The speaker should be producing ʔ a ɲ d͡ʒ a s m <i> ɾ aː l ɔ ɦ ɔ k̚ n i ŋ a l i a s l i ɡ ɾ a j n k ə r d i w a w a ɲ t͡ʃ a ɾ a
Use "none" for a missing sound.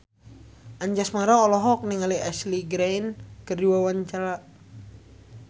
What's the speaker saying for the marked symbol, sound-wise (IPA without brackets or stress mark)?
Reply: a